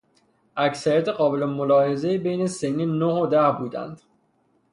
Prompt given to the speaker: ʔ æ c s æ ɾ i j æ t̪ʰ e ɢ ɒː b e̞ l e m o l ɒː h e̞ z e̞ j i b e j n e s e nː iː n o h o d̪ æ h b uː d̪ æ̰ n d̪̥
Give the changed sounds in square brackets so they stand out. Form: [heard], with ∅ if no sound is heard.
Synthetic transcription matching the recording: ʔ æ c s æ ɾ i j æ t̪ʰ e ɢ ɒː b e̞ l e m o l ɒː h e̞ z e̞ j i b e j n e s e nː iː n o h o d̪ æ h b uː d̪ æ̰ n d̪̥